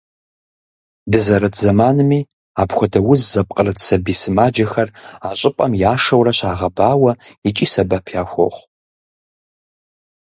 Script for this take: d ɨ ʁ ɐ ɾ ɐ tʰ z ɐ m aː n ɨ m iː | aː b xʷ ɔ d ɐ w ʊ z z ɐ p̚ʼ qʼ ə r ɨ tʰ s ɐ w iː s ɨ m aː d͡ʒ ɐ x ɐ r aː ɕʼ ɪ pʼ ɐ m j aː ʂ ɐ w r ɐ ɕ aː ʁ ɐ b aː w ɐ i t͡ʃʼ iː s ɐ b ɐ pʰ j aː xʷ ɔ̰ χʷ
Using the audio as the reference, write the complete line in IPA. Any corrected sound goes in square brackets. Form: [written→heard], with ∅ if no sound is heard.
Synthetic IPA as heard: d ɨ [ʁ→z] ɐ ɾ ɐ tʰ z ɐ m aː n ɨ m iː | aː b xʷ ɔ d ɐ w ʊ z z ɐ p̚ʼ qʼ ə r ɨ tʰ s ɐ [w→b] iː s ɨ m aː d͡ʒ ɐ x ɐ r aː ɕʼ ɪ pʼ ɐ m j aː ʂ ɐ w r ɐ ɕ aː ʁ ɐ b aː w ɐ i t͡ʃʼ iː s ɐ b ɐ pʰ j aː xʷ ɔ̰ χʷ